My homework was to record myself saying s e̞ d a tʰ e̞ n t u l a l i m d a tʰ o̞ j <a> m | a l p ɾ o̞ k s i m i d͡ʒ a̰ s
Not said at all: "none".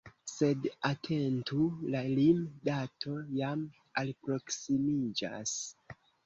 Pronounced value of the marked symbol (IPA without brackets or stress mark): a